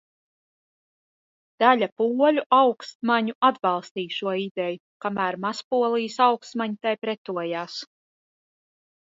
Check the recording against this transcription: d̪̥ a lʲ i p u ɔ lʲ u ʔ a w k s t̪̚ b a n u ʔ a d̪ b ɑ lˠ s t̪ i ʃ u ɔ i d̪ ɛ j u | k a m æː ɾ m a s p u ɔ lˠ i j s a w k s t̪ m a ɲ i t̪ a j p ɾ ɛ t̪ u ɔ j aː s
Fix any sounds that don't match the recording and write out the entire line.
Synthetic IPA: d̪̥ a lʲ a p u ɔ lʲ u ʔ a w k s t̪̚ m a ɲ u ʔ a d̪ b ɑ lˠ s t̪ iː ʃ u ɔ i d̪ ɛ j u | k a m æː ɾ m a s p u ɔ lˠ i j s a w k s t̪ m a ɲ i t̪ a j p ɾ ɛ t̪ u ɔ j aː s